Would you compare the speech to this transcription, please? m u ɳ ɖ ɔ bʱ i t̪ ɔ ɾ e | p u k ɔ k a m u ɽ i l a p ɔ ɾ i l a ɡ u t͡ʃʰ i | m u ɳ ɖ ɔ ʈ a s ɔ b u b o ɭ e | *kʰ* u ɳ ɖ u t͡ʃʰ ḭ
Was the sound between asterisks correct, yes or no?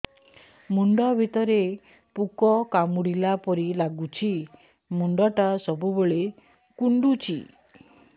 no